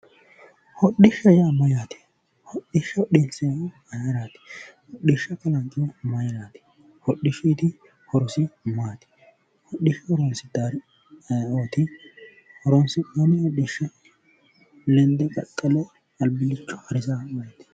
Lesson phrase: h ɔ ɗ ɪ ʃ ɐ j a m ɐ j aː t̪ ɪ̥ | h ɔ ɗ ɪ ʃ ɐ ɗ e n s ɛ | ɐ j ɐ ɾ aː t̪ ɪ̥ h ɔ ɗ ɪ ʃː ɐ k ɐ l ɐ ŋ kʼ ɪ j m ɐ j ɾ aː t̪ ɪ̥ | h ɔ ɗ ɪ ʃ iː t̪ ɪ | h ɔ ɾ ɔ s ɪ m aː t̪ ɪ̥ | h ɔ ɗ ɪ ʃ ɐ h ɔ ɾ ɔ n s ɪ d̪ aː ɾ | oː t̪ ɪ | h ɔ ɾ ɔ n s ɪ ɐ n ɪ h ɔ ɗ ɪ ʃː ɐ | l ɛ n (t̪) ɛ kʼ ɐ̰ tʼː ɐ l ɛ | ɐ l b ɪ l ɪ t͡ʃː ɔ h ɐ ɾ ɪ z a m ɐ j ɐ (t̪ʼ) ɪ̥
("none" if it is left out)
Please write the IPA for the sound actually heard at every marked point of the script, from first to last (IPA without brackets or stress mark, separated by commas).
d̪, t̪